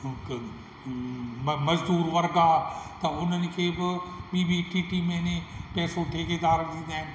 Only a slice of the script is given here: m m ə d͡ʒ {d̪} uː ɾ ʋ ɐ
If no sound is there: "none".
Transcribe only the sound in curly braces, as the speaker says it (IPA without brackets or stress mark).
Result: d̪